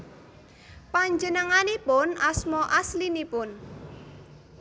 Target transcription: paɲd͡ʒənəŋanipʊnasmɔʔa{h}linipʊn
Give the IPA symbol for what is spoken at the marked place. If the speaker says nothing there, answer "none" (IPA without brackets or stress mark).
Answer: s